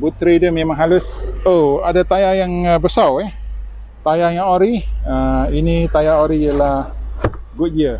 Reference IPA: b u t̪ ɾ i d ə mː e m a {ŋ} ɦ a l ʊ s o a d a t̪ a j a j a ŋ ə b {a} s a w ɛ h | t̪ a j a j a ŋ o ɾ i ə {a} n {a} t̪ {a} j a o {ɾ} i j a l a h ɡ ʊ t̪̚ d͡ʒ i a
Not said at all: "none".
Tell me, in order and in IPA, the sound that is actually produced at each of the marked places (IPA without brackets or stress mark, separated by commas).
ŋ, ə, i, i, a, ɾ